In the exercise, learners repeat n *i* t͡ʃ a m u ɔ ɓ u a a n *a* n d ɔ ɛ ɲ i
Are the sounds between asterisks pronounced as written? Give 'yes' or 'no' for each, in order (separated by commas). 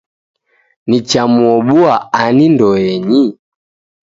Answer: yes, no